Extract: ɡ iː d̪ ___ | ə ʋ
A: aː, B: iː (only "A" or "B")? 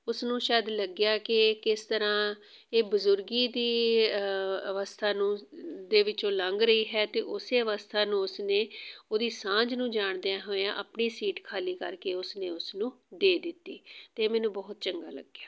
B